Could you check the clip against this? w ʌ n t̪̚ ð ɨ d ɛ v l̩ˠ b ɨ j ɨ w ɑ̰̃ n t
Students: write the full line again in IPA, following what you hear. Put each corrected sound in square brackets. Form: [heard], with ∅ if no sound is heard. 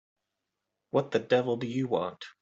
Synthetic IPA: w ʌ [∅] t̪̚ ð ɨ d ɛ v l̩ˠ [d] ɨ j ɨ w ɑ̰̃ n t